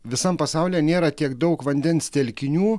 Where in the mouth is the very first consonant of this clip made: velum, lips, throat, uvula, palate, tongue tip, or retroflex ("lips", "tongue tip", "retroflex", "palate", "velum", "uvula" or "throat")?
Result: lips